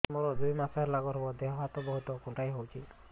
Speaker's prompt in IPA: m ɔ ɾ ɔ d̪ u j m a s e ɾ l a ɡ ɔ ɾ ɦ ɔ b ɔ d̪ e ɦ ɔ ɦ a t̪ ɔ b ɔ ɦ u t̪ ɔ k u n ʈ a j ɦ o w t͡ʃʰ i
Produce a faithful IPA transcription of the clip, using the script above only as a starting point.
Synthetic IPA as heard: m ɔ ɾ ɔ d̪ u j m a s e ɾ l a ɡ ɔ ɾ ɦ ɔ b ɔ d̪ e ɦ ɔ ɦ a t̪ ɔ b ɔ ɦ u t̪ ɔ k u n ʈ a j ɦ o w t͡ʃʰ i